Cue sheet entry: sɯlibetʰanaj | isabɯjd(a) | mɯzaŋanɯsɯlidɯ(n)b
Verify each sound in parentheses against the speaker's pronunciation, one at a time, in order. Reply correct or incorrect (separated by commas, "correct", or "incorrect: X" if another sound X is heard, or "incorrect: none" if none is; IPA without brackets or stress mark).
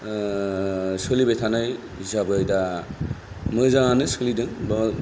correct, incorrect: ŋ